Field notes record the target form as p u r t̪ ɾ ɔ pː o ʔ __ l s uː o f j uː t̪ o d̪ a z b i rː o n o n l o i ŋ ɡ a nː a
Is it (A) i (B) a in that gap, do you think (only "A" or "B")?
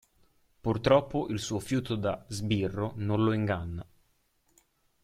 A